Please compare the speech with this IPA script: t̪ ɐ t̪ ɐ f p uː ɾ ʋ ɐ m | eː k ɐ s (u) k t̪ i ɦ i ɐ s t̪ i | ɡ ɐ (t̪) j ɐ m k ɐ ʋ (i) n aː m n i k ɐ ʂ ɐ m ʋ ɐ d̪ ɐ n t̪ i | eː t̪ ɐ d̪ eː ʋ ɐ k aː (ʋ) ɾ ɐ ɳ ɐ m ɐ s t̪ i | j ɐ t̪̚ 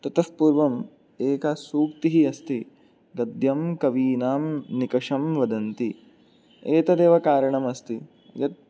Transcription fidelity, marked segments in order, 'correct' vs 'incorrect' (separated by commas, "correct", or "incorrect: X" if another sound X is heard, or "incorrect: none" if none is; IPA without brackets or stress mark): incorrect: uː, incorrect: d̪, incorrect: iː, incorrect: none